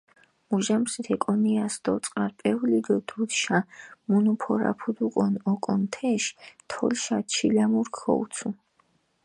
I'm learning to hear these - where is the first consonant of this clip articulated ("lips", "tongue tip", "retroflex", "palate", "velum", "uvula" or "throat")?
lips